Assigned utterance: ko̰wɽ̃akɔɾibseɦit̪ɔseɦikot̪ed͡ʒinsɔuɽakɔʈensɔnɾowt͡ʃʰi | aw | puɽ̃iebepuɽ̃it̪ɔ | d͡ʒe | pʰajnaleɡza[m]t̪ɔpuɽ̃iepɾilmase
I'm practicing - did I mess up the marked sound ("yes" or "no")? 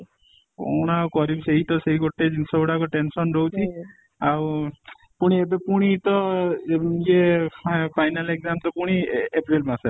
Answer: no